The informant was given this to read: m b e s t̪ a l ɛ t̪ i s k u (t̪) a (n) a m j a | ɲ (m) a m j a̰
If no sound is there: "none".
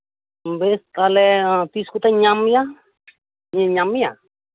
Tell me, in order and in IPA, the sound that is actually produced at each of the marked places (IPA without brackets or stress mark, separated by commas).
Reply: t̪, ɲ, ɲ